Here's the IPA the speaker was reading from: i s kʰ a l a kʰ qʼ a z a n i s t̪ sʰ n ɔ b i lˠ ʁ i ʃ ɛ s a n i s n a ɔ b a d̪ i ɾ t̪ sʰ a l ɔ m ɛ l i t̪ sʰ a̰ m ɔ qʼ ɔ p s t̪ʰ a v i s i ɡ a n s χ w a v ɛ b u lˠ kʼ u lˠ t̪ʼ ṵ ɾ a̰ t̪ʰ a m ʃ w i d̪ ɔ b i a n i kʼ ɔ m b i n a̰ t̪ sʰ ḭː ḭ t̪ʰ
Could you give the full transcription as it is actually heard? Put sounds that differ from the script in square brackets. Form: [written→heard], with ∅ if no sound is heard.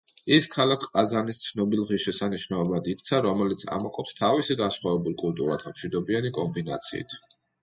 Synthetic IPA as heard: i s kʰ a l a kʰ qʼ a z a n i s t̪ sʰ n ɔ b i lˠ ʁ i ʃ ɛ s a n i [s→ʃ] n a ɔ b a d̪ i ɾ t̪ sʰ a [l→ɾ] ɔ m ɛ l i t̪ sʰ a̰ m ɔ qʼ ɔ p s t̪ʰ a v i s i ɡ a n s χ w a v ɛ b u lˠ kʼ u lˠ t̪ʼ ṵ ɾ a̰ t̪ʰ a m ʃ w i d̪ ɔ b i a n i kʼ ɔ m b i n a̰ t̪ sʰ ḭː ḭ t̪ʰ

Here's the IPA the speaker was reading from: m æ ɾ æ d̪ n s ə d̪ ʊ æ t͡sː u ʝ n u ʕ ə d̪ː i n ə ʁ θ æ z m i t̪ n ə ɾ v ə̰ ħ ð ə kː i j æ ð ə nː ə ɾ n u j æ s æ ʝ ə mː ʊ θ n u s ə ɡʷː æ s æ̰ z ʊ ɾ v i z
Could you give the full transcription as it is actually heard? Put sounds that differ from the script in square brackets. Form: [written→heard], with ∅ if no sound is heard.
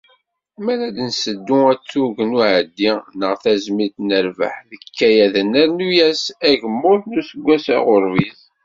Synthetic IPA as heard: m æ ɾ æ d̪ n s ə [d̪→d̪ː] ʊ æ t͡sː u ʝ n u ʕ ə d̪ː i n ə ʁ θ æ z m i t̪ n ə ɾ v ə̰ ħ ð ə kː [i→æ] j æ ð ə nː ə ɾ n u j æ s æ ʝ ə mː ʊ θ n u s ə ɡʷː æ s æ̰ [z→ʁ] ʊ ɾ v i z

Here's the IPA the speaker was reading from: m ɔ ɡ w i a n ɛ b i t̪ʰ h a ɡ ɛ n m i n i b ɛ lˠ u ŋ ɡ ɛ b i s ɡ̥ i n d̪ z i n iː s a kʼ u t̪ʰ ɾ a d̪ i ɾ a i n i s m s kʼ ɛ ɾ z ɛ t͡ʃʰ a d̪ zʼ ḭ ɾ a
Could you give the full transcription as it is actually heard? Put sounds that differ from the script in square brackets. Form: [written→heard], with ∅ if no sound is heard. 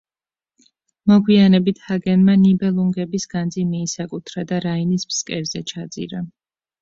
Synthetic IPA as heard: m ɔ ɡ w i a n ɛ b i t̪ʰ h a ɡ ɛ n m [i→a] n i b ɛ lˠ u ŋ ɡ ɛ b i s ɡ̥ [i→a] n d̪ z i [n→m] iː s a kʼ u t̪ʰ ɾ a d̪ [i→a] ɾ a i n i s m s kʼ ɛ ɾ z ɛ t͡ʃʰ a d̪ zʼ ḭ ɾ a

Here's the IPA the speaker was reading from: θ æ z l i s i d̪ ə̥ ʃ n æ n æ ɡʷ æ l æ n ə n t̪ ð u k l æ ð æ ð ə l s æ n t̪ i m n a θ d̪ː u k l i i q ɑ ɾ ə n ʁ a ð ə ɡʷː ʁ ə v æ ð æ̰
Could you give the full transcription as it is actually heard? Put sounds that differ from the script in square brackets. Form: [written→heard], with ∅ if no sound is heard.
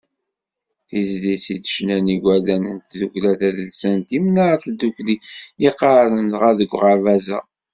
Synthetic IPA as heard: θ [æ→i] z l i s i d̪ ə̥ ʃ n æ n [æ→i] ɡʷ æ l æ n ə n t̪ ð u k l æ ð æ ð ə l s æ n t̪ i m n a θ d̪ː u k l i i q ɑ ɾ ə n ʁ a ð ə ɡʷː ʁ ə v æ [ð→z] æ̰

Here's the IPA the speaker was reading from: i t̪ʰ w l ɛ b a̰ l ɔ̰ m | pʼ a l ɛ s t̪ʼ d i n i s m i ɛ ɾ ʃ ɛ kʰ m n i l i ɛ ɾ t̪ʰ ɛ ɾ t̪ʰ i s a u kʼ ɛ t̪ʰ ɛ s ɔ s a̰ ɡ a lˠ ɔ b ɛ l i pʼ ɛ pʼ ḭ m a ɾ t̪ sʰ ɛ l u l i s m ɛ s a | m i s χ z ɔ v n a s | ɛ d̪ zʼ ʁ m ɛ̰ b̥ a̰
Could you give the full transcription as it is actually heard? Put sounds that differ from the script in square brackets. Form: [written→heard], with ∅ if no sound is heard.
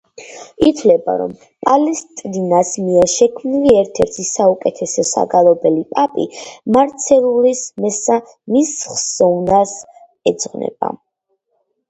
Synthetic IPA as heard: i t̪ʰ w l ɛ b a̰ [l→ɾ] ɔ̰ m | pʼ a l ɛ s t̪ʼ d i n [i→a] s m i ɛ ɾ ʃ ɛ kʰ m n i l i ɛ ɾ t̪ʰ ɛ ɾ t̪ʰ i s a u kʼ ɛ t̪ʰ ɛ s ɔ s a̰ ɡ a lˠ ɔ b ɛ l i pʼ [ɛ→a] pʼ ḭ m a ɾ t̪ sʰ ɛ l u l i s m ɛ s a | m i s χ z ɔ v n a s | ɛ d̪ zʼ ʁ [m→n] ɛ̰ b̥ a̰

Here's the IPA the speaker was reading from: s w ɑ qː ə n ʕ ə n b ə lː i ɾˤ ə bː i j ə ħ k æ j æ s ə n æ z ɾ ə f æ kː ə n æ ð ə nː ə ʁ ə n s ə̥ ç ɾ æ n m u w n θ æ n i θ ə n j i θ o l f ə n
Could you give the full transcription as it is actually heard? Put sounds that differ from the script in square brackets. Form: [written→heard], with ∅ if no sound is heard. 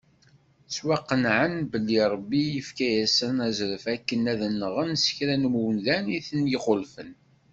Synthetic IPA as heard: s w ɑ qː ə n ʕ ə n b ə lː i ɾˤ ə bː i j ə [ħ→f] k æ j æ s ə n æ z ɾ ə f æ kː ə n æ ð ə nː ə ʁ ə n s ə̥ ç ɾ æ n m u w n [θ→ð] æ n i θ ə n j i [θ→χ] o l f ə n

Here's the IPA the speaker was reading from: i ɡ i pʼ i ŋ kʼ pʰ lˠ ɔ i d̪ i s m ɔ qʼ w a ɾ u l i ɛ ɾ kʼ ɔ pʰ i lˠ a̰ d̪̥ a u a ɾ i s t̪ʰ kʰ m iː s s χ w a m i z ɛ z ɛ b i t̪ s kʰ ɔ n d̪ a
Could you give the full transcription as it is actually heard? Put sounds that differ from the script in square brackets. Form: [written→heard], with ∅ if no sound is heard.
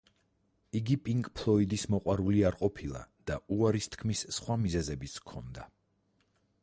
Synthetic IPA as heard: i ɡ i pʼ i ŋ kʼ pʰ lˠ ɔ i d̪ i s m ɔ qʼ w a ɾ u l i [ɛ→a] ɾ [kʼ→qʼ] ɔ pʰ i lˠ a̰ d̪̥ a u a ɾ i s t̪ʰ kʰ m [iː→i] s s χ w a m i z ɛ z ɛ b i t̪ s kʰ ɔ n d̪ a

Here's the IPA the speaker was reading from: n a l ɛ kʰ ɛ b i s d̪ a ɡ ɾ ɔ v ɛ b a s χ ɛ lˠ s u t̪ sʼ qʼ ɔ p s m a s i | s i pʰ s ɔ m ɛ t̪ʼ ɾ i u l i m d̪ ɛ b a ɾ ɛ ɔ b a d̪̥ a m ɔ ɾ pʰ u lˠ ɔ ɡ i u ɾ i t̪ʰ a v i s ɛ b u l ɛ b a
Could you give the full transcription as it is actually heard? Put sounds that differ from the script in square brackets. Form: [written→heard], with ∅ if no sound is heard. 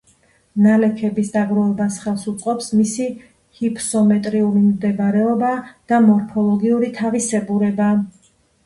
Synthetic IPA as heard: n a l ɛ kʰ ɛ b i s d̪ a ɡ ɾ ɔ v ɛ b a s χ ɛ lˠ s u t̪ sʼ qʼ ɔ p s m [a→i] s i | [s→h] i pʰ s ɔ m ɛ t̪ʼ ɾ i u l i m d̪ ɛ b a ɾ ɛ ɔ b a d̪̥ a m ɔ ɾ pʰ [u→ɔ] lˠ ɔ ɡ i u ɾ i t̪ʰ a v i s ɛ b u [l→ɾ] ɛ b a

